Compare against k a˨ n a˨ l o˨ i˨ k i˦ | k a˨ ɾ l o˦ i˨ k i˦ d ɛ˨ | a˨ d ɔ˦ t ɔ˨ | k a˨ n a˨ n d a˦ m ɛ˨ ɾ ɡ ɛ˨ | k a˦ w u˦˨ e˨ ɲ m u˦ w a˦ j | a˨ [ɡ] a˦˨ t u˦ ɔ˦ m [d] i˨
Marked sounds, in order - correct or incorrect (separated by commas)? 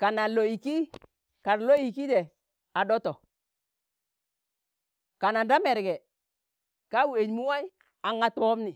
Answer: incorrect, incorrect